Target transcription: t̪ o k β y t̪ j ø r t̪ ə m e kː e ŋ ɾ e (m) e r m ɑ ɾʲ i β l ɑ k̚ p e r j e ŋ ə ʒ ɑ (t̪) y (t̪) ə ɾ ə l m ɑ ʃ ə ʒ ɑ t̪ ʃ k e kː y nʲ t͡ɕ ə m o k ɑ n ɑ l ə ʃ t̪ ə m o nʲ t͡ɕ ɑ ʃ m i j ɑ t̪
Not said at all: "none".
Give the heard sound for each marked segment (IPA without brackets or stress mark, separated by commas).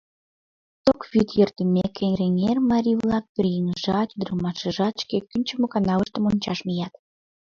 ŋ, t̪, d̪